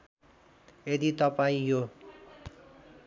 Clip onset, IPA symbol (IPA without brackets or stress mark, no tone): e